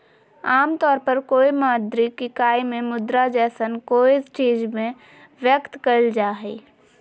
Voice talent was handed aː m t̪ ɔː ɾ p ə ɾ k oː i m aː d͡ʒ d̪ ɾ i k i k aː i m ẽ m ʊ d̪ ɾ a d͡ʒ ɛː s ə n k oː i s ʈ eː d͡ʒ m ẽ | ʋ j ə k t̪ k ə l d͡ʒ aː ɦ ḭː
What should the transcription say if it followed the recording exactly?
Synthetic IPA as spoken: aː m t̪ ɔː ɾ p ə ɾ k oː i m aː d̪ ɾ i k i k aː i m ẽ m ʊ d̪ ɾ a d͡ʒ ɛː s ə n k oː i s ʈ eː d͡ʒ m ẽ | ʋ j ə k t̪ k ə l d͡ʒ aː ɦ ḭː